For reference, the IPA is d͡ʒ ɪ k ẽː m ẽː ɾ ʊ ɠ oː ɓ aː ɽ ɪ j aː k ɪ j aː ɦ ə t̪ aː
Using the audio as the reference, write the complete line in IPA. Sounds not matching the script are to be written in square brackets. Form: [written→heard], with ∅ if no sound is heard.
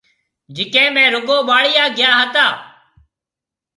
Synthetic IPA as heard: d͡ʒ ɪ k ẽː m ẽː ɾ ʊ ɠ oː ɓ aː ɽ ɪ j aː [k→ɡ] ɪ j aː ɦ ə t̪ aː